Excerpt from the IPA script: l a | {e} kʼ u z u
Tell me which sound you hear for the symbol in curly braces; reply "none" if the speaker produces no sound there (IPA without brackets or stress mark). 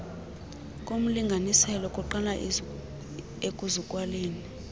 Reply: e